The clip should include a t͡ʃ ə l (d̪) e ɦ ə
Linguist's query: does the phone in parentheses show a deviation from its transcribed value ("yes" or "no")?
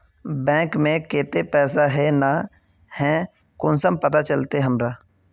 yes